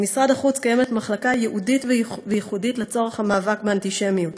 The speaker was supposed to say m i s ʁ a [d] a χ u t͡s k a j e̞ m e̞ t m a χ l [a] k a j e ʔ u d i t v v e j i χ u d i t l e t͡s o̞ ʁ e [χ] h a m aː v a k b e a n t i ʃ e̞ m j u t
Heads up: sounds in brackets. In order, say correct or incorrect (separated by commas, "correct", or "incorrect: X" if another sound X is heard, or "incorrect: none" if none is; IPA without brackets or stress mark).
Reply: correct, correct, correct